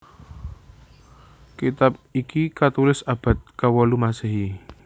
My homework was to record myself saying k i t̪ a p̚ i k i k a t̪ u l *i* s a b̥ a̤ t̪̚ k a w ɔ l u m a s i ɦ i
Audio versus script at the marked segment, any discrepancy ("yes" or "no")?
yes